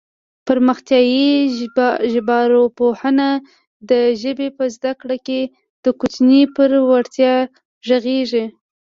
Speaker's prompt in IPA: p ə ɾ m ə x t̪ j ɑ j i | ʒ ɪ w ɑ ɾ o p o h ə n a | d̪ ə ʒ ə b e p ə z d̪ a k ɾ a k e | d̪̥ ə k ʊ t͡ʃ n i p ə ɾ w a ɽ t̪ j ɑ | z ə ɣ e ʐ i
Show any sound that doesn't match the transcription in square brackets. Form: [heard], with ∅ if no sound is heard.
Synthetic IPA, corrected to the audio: p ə ɾ m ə x t̪ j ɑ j i | ʒ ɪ [b] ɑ ɾ o p o h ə n a | d̪ ə ʒ ə b e p ə z d̪ a k [ɽ] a k e | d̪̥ ə k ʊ t͡ʃ n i p ə ɾ w a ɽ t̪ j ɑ | [ʒ] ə ɣ e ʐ i